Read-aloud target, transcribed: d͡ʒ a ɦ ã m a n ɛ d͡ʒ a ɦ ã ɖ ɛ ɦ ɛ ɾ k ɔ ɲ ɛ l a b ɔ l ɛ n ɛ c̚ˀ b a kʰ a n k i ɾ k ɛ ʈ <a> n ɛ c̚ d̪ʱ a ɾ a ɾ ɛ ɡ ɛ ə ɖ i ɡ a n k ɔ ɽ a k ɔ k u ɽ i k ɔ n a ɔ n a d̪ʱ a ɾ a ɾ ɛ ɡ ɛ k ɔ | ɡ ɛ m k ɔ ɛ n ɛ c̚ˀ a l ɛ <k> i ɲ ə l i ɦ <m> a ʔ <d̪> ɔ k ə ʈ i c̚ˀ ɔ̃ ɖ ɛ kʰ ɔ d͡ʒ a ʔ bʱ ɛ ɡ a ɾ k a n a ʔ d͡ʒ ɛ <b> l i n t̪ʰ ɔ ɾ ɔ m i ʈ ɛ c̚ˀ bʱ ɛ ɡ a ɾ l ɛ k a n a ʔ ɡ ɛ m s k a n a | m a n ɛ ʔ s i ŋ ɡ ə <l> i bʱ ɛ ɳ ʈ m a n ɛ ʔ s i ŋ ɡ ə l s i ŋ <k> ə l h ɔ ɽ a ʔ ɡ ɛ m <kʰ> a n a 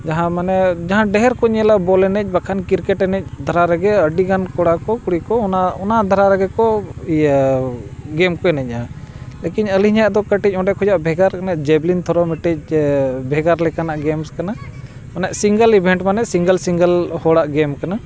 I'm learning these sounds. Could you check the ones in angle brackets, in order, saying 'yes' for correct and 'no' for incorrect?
no, yes, no, yes, yes, yes, no, no

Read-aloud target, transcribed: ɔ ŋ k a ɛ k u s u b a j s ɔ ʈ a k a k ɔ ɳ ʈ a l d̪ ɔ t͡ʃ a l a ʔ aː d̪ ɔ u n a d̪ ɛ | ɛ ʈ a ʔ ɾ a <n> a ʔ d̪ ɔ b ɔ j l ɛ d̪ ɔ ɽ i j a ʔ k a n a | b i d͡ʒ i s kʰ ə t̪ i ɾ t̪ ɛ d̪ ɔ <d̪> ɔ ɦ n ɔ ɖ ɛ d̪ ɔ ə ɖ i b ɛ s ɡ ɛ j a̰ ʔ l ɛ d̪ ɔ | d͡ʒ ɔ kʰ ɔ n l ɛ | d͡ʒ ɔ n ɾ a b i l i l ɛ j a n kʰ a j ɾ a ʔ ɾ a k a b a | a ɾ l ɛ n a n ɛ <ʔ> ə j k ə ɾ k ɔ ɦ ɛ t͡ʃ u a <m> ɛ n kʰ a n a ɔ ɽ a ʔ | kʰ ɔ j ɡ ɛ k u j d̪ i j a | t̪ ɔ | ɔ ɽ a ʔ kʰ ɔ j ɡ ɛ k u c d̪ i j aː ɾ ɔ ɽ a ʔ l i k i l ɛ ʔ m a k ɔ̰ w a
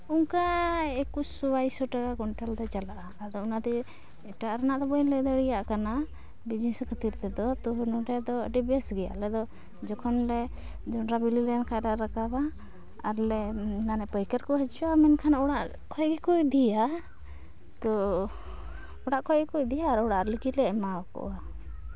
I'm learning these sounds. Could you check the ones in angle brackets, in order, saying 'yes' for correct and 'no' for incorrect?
yes, no, no, yes

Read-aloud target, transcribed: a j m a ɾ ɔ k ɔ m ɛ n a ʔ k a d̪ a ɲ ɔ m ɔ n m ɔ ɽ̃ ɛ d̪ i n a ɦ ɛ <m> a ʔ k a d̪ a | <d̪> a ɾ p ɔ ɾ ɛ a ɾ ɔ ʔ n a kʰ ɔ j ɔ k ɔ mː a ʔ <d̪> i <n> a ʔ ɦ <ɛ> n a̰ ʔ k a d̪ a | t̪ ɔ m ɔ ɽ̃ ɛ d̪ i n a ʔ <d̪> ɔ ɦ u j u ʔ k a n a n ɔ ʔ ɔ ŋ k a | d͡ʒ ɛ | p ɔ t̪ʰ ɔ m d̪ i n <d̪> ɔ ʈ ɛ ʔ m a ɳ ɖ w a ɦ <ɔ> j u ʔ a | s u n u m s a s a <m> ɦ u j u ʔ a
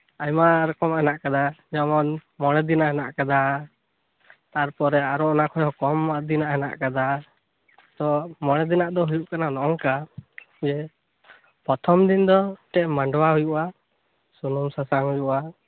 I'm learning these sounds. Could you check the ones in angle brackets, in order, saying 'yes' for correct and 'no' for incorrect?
no, no, yes, yes, yes, yes, yes, no, no

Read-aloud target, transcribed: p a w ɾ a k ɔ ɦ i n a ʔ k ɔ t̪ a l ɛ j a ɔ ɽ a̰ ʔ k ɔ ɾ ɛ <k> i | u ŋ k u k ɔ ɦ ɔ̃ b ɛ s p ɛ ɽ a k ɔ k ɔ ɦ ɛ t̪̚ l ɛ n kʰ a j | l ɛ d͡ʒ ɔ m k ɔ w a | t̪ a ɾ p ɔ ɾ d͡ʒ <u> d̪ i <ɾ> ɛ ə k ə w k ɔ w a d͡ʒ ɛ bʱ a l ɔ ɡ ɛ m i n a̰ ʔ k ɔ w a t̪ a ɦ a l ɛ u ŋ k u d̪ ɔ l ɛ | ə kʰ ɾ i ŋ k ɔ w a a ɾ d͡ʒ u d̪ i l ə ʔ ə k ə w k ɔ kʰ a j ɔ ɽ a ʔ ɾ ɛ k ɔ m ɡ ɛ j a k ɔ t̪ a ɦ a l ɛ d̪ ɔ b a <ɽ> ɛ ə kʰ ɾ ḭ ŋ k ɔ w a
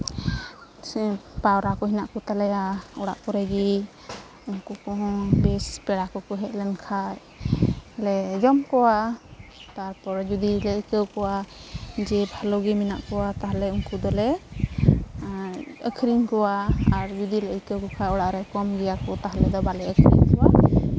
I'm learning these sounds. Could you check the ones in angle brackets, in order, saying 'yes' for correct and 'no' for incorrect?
no, yes, no, no

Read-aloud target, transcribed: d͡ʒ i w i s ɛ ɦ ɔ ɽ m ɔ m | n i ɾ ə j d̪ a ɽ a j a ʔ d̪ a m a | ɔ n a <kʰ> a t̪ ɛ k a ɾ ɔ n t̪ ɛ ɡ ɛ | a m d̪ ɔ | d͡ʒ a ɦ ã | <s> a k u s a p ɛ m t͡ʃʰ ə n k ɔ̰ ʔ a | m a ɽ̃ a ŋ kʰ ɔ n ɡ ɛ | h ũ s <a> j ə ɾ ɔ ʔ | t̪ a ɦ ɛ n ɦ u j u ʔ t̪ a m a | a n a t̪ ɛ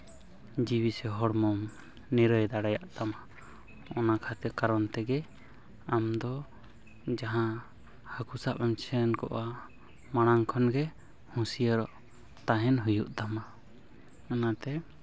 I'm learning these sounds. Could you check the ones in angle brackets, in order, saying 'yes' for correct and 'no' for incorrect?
yes, no, no

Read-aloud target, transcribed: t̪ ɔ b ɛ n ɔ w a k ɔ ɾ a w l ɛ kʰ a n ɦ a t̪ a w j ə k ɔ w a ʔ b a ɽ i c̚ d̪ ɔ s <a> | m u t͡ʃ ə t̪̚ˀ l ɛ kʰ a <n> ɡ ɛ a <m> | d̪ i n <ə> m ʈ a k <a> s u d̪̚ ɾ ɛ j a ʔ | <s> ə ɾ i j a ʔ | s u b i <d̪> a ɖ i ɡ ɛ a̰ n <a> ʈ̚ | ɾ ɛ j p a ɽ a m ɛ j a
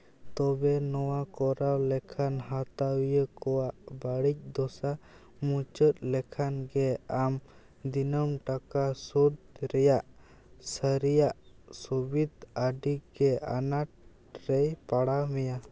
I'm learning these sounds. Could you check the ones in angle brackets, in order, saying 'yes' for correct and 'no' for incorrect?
yes, yes, yes, yes, yes, yes, yes, yes

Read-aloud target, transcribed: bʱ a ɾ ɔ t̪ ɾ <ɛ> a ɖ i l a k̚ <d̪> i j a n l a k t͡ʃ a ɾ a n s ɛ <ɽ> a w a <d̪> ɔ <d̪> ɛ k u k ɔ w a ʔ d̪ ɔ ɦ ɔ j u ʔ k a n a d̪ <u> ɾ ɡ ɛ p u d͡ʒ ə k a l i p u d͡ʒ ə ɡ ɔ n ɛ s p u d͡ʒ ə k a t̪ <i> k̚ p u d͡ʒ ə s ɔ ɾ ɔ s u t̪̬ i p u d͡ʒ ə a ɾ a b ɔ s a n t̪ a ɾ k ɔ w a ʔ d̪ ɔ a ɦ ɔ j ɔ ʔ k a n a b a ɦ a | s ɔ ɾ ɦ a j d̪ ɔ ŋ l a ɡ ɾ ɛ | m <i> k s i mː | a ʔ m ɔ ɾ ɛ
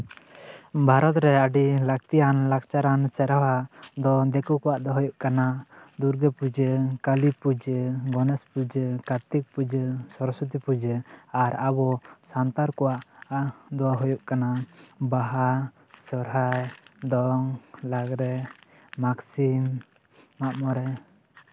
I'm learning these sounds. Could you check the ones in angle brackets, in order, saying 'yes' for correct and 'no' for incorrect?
yes, no, no, yes, yes, yes, yes, no

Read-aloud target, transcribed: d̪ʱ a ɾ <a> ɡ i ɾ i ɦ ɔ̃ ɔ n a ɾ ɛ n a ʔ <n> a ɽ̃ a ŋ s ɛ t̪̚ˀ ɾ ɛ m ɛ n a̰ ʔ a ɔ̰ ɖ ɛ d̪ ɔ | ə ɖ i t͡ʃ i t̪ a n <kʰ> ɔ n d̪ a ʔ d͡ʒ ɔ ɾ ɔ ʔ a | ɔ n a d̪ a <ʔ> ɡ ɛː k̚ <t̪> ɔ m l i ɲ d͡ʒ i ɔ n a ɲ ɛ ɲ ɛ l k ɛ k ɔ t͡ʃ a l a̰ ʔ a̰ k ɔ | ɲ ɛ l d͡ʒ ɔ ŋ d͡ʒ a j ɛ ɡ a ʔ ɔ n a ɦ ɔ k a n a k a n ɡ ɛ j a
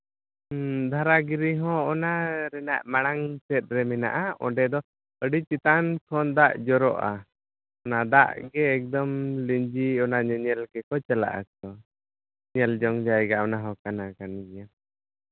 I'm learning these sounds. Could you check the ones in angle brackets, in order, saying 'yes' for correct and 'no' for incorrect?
yes, no, yes, yes, no

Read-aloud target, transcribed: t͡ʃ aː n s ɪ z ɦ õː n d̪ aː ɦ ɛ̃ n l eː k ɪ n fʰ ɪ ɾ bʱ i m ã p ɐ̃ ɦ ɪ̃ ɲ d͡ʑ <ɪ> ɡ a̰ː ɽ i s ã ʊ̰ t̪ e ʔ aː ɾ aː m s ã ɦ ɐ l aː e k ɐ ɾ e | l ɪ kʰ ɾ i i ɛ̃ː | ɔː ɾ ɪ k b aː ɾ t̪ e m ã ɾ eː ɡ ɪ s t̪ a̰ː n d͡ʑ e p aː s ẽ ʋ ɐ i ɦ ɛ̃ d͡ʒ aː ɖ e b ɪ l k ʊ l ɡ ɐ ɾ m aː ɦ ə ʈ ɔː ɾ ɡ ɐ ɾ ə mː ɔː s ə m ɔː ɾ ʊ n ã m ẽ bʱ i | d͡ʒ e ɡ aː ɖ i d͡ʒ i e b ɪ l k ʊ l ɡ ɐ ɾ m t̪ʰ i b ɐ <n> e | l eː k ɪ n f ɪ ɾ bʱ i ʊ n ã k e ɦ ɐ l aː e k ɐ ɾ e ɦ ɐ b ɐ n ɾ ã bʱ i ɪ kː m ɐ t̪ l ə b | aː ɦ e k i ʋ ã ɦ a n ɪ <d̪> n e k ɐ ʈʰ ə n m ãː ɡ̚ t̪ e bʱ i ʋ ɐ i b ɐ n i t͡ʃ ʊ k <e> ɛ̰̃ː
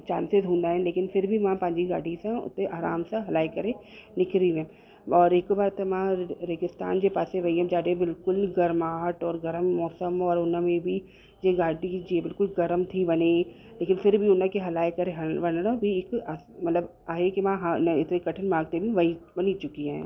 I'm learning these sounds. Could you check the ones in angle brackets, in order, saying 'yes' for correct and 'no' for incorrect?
no, yes, no, no

